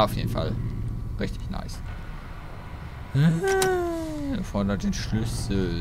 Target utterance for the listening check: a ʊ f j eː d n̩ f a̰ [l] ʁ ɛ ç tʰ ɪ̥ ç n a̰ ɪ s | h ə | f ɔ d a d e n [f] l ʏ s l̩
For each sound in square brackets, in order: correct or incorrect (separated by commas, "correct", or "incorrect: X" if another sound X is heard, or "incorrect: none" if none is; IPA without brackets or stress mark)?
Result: correct, incorrect: ʃ